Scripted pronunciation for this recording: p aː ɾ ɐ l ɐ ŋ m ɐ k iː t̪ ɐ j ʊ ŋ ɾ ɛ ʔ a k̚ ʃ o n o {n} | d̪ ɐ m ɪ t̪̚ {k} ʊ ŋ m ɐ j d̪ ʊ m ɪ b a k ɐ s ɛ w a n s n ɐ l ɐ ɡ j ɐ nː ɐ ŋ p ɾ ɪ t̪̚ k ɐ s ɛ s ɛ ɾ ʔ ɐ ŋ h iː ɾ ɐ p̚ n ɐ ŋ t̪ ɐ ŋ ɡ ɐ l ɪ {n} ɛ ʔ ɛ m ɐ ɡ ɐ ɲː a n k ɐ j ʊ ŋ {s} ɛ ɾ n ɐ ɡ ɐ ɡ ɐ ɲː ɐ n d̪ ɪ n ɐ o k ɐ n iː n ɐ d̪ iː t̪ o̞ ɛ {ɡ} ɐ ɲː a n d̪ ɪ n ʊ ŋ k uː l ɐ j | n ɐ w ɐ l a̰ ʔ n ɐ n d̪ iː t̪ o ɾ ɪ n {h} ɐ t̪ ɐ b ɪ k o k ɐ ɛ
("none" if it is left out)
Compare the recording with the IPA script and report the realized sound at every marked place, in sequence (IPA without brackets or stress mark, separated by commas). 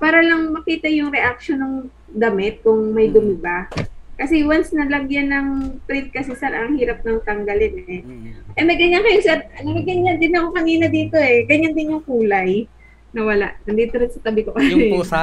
ŋ, k, n, s, ɡ, s